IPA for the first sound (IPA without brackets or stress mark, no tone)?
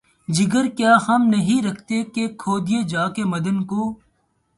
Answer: d͡ʒ